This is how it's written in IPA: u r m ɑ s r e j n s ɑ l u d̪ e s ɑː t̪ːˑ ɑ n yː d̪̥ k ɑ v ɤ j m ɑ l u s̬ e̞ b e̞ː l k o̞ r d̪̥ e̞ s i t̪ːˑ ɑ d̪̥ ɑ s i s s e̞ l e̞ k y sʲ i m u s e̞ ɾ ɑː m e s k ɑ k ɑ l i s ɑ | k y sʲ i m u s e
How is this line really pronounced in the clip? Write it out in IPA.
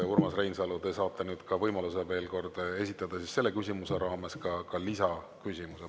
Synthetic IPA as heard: u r m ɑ s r e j n s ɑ l u d̪ e s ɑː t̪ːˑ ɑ n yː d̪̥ k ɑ v ɤ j m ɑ l u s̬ e̞ v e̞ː l k o̞ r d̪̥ e̞ s i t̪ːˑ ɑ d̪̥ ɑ s i s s e̞ lː e̞ k y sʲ i m u s e̞ ɾ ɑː m e s k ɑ k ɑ l i s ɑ | k y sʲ i m u s e